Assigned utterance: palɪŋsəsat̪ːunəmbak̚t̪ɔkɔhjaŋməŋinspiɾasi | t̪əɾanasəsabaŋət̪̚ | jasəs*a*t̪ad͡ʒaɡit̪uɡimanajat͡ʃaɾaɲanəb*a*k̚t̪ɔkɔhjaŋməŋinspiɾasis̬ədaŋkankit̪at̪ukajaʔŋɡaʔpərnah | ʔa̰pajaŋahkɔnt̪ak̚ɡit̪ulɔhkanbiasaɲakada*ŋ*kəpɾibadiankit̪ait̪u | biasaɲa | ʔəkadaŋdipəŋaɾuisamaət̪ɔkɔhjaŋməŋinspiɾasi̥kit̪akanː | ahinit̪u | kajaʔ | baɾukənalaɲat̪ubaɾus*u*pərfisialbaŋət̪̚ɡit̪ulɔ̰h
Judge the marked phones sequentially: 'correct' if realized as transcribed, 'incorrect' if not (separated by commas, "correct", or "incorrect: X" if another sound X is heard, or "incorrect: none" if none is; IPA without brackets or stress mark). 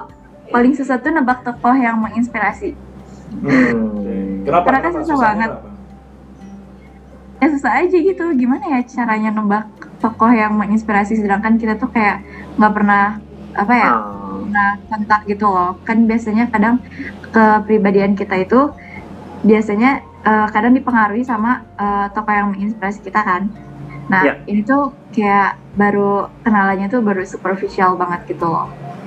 correct, correct, correct, correct